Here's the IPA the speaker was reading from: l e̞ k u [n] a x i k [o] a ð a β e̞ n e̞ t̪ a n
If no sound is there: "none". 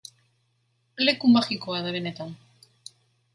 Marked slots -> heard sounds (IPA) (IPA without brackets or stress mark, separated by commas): m, o